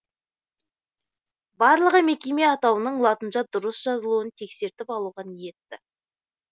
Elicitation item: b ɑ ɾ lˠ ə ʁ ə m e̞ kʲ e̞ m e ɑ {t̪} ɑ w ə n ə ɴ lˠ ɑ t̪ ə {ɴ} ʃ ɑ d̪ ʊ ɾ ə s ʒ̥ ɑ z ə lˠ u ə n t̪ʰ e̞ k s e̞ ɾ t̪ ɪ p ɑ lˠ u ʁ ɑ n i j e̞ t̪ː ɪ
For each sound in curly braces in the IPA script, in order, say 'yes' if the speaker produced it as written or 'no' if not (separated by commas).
yes, no